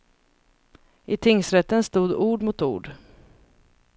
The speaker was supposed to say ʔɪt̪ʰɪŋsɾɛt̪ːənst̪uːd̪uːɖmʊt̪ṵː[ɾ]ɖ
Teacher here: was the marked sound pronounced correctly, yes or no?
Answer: no